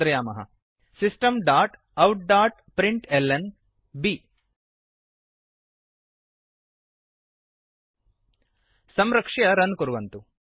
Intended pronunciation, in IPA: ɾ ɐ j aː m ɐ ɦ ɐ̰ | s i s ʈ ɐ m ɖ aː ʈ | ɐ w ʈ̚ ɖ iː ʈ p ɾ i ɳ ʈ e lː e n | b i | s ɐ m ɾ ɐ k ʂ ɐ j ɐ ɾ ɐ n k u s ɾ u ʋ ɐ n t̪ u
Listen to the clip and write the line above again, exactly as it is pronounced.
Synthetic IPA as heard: ɾ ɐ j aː m ɐ ɦ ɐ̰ | s i s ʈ ɐ m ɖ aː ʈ | ɐ w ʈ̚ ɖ aː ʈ p ɾ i ɳ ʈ e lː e n | b i | s ɐ m ɾ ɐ k ʂ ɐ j ɐ ɾ ɐ n k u ɾ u ʋ ɐ n t̪ u